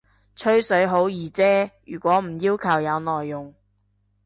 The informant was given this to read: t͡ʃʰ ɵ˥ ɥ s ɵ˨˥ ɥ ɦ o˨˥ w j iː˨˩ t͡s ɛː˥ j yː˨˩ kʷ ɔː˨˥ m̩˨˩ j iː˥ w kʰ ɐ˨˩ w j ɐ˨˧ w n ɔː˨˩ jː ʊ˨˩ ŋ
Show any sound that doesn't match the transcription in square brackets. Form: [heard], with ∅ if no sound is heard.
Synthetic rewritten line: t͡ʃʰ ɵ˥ ɥ s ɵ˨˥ ɥ ɦ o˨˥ w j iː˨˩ t͡s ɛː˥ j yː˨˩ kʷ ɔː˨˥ m̩˨˩ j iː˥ w kʰ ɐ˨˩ w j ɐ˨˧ w n ɔː˨˩ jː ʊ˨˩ ŋ